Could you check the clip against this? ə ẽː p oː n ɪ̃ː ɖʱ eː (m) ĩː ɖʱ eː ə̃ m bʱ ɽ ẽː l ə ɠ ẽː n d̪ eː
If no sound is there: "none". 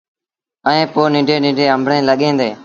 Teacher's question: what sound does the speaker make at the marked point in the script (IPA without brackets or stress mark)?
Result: n